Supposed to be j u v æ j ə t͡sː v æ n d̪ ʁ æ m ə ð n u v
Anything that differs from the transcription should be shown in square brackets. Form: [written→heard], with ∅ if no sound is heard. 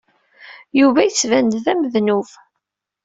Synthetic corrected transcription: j u v æ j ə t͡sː v æ n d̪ [ʁ→ð] æ m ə ð n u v